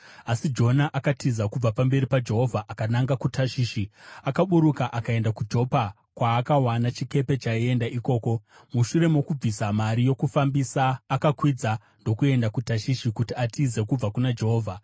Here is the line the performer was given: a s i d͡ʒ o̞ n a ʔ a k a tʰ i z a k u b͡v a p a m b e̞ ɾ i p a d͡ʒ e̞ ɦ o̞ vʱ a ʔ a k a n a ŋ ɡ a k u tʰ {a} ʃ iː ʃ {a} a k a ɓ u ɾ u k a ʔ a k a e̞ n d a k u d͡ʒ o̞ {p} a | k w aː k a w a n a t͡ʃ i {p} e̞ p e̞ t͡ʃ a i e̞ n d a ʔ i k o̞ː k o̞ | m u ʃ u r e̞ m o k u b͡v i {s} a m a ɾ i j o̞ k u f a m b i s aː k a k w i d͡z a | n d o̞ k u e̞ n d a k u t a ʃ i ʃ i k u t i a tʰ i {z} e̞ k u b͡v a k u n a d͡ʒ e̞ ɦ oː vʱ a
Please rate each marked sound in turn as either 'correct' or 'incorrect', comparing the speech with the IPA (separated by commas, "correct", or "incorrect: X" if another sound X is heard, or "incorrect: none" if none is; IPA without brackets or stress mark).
correct, incorrect: i, correct, incorrect: k, correct, correct